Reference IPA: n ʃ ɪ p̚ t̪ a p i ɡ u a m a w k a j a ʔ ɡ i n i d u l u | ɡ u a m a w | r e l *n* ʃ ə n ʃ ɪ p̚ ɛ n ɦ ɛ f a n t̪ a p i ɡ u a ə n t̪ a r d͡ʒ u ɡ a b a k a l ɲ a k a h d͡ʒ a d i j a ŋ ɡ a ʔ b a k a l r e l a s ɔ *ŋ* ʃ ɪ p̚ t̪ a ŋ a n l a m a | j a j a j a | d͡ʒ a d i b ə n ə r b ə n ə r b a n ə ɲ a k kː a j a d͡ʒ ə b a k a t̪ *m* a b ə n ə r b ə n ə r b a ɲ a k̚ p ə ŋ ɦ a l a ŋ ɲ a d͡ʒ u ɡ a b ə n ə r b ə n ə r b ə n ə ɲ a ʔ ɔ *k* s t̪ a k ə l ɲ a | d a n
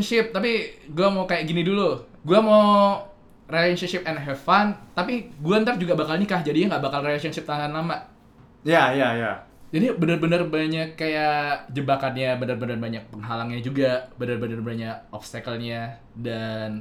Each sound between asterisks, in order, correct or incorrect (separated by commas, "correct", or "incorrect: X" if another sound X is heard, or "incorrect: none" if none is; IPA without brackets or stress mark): correct, incorrect: n, incorrect: ɲ, incorrect: p